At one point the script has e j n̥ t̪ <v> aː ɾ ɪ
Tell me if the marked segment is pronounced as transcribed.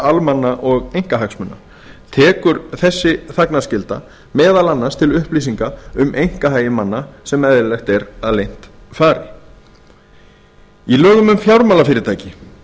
no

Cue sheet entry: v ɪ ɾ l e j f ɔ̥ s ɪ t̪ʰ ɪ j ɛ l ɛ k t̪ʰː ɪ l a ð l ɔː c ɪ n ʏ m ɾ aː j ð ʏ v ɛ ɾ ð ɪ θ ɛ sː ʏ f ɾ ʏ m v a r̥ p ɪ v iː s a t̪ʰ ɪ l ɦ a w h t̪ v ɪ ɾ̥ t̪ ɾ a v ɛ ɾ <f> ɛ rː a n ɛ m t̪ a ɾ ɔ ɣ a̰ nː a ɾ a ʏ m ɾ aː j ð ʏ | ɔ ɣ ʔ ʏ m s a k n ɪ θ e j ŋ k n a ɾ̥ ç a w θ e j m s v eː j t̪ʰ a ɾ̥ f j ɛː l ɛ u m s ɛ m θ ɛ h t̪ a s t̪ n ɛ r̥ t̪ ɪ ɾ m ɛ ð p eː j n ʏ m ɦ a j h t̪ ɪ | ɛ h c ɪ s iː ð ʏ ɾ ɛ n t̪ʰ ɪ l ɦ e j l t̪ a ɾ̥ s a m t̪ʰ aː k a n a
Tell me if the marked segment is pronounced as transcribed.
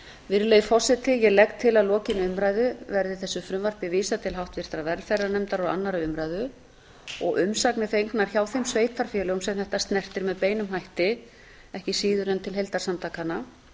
yes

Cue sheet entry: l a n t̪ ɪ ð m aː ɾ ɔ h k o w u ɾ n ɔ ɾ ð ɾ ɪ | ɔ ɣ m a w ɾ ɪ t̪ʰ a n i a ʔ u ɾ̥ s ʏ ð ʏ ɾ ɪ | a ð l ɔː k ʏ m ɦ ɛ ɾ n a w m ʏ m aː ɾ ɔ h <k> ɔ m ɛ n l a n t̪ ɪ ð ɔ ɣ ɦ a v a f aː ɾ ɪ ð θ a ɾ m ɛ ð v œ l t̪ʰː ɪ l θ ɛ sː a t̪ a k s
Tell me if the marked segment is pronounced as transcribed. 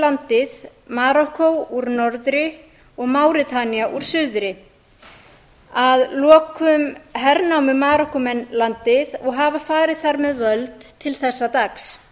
yes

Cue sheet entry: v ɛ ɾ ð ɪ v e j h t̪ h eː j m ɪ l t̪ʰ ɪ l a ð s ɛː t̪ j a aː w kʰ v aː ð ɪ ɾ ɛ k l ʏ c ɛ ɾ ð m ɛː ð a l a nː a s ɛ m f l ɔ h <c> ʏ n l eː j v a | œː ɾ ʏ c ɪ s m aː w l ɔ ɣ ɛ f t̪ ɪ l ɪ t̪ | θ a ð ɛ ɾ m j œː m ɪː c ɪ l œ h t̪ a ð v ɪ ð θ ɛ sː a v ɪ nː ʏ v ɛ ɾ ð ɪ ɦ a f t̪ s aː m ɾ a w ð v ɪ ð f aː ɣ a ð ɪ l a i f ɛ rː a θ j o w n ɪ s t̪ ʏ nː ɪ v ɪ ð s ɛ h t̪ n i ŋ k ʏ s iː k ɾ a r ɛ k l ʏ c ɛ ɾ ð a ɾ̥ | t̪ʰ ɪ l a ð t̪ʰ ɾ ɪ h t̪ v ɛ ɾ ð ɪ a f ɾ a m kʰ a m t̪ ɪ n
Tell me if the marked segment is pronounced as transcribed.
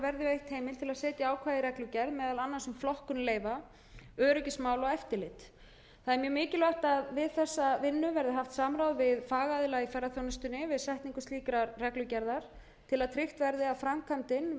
no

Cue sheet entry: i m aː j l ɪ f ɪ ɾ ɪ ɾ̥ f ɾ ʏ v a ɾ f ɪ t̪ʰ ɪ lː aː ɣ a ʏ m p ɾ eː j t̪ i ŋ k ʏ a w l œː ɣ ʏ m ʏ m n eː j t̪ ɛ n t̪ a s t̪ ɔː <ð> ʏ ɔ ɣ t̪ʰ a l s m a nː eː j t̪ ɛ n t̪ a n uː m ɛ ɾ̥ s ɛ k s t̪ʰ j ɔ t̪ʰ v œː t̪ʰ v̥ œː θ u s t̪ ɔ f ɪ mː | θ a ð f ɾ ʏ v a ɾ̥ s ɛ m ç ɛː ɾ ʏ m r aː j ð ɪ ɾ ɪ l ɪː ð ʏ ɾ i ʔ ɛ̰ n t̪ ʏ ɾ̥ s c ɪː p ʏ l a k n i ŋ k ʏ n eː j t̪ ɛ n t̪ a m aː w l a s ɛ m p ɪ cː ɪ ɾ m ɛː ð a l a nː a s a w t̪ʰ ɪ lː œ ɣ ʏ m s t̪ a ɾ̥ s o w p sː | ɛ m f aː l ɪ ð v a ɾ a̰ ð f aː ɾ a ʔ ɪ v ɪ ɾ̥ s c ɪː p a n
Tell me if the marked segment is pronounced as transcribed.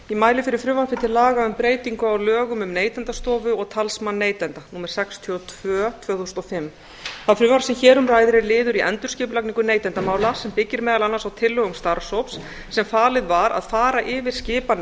no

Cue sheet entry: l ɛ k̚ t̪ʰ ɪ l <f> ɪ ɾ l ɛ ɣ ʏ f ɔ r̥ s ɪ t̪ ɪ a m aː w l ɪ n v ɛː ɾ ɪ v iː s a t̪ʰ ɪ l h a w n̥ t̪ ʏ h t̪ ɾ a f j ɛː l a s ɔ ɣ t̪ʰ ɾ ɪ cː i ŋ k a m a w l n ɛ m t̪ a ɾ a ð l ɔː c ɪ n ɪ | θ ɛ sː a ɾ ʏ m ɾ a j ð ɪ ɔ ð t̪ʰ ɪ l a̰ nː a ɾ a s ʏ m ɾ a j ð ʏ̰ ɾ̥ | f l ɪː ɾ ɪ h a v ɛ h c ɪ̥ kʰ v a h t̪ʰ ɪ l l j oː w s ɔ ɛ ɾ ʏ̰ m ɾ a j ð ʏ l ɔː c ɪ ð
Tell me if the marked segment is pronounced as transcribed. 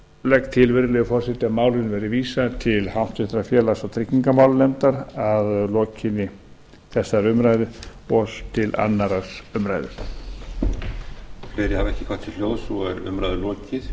no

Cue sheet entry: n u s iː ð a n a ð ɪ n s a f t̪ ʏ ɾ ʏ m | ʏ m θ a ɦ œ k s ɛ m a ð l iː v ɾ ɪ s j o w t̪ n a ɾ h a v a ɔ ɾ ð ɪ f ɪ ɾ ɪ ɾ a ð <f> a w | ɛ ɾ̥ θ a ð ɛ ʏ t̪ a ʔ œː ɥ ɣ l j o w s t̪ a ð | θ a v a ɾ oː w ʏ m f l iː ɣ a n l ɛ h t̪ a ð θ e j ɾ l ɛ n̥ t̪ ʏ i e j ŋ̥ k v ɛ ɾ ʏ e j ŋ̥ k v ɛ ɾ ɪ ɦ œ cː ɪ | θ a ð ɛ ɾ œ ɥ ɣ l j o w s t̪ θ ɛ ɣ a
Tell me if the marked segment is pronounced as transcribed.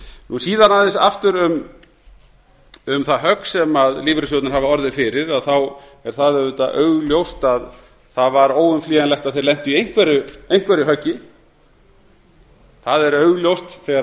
no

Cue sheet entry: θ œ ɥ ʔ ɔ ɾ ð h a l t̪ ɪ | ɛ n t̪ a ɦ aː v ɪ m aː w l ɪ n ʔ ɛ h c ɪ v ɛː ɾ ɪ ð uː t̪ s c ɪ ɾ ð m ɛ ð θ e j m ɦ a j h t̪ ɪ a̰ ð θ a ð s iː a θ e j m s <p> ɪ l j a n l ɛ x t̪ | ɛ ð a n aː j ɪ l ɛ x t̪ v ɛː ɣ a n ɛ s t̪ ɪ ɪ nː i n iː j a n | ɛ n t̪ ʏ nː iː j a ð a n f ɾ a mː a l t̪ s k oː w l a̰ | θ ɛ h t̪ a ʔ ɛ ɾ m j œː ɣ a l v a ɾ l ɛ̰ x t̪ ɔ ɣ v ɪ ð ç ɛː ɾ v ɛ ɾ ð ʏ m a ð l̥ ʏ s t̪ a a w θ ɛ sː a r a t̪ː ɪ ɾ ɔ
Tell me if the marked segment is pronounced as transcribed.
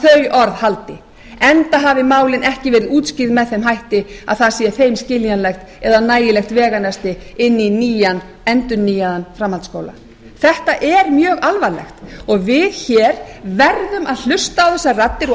no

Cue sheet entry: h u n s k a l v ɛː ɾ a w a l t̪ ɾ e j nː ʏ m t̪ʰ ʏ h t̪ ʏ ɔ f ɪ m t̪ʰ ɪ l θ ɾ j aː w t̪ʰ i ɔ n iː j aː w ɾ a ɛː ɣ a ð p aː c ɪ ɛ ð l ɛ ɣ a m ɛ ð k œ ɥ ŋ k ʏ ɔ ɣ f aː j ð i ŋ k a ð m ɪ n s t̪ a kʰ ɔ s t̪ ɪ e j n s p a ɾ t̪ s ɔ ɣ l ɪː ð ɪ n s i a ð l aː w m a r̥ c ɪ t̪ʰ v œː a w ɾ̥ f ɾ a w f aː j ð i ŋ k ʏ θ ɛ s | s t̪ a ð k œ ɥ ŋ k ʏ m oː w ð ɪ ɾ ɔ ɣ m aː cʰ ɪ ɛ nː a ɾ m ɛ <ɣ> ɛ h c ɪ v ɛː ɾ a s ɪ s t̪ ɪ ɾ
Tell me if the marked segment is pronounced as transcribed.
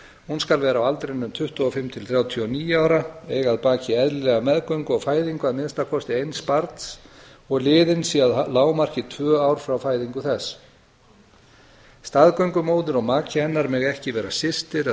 yes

